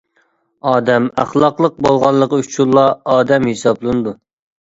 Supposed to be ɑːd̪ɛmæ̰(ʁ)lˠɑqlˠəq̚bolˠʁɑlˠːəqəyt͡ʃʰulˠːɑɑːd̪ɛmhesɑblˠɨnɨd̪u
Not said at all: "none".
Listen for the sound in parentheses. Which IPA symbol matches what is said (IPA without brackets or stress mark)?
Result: χ